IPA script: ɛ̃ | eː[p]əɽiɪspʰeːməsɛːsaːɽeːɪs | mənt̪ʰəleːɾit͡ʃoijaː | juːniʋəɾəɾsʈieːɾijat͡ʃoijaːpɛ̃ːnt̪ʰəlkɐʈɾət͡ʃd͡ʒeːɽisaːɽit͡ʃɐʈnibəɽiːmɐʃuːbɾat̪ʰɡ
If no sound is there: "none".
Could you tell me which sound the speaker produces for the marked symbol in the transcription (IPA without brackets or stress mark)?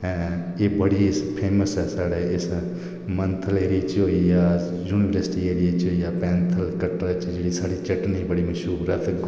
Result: b